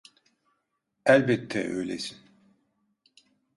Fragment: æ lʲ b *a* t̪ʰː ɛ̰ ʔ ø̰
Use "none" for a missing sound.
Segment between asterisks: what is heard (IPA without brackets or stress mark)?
ɛ